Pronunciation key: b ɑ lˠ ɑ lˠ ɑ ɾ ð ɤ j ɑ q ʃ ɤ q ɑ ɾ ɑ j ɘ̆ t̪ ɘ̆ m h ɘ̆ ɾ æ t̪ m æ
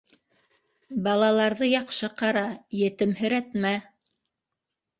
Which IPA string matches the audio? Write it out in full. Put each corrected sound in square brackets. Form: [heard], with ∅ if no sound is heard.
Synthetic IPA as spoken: b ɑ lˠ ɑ lˠ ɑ ɾ ð ɤ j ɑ q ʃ ɤ q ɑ ɾ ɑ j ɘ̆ t̪ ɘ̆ m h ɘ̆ ɾ æ t̪ m æ